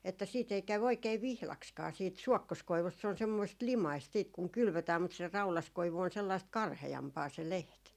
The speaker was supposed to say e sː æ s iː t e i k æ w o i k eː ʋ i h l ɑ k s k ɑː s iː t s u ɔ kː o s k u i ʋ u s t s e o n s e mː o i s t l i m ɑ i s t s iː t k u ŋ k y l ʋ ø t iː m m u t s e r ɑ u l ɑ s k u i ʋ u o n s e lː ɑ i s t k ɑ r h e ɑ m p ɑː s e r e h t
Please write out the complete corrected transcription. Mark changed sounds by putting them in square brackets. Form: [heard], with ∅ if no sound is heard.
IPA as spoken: e [tː] æ s iː t e i k æ w o i k eː ʋ i h l ɑ k s k ɑː s iː t s u ɔ kː o s k [o] i ʋ u s t s e o n s e mː o i s t l i m ɑ i s t s iː t k u ŋ k y l ʋ ø t [æː] m m u t s e r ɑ u l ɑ s k [o] i ʋ u o n s e lː ɑ i s t k ɑ r h e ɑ m p ɑː s e [l] e h t